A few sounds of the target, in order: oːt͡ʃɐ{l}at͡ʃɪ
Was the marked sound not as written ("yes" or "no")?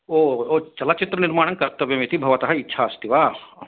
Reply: no